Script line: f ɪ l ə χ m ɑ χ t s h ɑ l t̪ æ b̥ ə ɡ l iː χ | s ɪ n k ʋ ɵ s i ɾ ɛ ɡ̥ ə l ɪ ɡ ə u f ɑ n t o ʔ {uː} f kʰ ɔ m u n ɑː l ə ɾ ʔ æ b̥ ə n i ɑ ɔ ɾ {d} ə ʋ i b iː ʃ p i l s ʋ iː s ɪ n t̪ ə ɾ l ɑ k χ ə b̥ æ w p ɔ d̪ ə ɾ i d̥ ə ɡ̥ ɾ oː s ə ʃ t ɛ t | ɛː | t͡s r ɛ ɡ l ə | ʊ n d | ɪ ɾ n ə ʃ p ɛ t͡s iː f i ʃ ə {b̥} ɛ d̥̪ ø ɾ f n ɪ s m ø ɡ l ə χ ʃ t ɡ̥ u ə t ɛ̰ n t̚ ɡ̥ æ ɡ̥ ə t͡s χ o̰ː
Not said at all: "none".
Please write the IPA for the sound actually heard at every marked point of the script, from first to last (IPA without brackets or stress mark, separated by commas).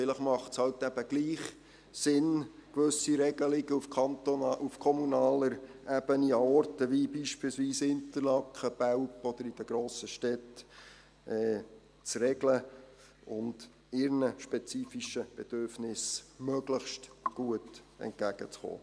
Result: u, t, b̥